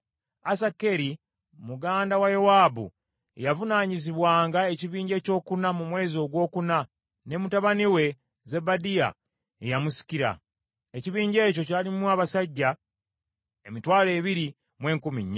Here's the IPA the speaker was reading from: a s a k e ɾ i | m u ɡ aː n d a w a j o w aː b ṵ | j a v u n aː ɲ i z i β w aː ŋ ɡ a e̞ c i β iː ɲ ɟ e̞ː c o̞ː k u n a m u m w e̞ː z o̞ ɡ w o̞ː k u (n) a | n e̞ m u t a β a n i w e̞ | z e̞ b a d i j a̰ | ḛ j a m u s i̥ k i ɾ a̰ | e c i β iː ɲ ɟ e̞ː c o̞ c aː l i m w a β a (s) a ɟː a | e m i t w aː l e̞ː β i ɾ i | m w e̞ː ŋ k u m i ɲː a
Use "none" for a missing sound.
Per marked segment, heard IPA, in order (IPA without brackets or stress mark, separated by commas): n, s